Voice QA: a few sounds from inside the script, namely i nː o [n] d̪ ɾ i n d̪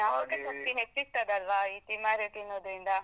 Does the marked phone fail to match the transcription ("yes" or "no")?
yes